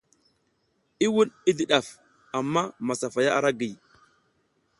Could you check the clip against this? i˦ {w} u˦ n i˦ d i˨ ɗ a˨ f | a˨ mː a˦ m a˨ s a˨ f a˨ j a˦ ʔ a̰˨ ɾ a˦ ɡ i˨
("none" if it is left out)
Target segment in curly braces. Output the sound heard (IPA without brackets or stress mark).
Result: w